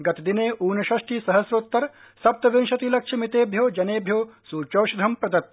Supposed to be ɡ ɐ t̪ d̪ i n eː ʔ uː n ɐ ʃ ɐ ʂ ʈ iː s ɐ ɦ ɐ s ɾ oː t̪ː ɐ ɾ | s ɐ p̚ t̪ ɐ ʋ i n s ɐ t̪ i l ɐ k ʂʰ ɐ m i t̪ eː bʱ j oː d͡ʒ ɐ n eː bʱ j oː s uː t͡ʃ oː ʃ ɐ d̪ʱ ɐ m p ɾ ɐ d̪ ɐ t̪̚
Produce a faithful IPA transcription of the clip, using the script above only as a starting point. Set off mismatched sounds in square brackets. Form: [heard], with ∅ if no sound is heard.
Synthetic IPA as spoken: ɡ ɐ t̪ d̪ i n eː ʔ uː n ɐ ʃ ɐ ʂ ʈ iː s ɐ ɦ ɐ s ɾ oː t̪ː ɐ ɾ | s ɐ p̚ t̪ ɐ ʋ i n [ʃ] ɐ t̪ i l ɐ k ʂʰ ɐ m i t̪ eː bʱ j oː d͡ʒ ɐ n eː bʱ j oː s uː t͡ʃ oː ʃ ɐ d̪ʱ ɐ m p ɾ ɐ d̪ ɐ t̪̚